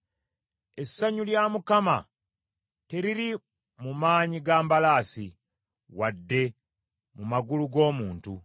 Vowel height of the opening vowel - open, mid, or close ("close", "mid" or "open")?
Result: mid